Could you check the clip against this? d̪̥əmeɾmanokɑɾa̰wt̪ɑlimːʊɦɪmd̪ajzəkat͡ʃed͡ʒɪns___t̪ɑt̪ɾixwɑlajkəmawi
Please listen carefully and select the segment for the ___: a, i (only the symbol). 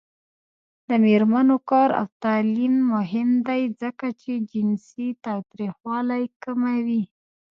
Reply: i